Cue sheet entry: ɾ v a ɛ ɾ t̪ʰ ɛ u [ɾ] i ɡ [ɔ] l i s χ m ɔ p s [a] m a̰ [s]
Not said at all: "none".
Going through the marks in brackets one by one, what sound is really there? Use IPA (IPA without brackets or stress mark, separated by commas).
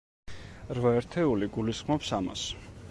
l, u, a, s